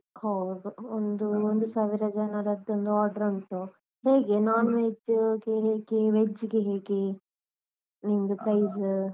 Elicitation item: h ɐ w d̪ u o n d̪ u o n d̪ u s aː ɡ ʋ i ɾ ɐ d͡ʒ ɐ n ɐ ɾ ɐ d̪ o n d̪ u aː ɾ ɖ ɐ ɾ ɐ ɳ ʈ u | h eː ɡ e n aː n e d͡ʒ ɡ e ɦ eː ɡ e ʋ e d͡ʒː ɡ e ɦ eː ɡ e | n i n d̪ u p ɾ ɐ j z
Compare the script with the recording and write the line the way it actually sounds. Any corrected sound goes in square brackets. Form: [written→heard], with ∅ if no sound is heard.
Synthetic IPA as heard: h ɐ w d̪ u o n d̪ u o n d̪ u s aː [ɡ→∅] ʋ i ɾ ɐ d͡ʒ ɐ n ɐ ɾ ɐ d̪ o n d̪ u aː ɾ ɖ ɐ ɾ ɐ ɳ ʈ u | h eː ɡ e n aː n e d͡ʒ ɡ e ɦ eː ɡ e ʋ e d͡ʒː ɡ e ɦ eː ɡ e | n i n d̪ u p ɾ ɐ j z